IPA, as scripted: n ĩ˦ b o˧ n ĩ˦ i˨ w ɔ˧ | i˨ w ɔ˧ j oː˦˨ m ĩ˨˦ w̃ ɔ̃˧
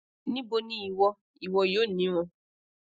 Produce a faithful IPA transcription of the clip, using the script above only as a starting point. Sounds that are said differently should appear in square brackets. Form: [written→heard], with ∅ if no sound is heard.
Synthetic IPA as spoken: n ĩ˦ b o˧ n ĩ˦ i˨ w ɔ˧ | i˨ w ɔ˧ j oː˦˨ [m→n] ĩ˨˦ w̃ ɔ̃˧